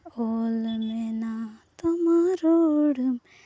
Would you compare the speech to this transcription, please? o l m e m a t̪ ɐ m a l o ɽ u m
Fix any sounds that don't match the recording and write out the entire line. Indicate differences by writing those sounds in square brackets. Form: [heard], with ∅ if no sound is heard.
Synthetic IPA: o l m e [n] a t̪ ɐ m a [ɾ] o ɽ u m